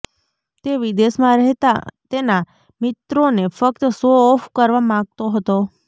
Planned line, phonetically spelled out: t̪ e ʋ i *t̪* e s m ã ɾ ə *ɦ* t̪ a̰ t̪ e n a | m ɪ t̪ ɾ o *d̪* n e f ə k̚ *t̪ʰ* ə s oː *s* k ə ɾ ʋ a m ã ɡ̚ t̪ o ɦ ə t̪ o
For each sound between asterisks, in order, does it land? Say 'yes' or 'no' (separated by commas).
no, yes, no, no, no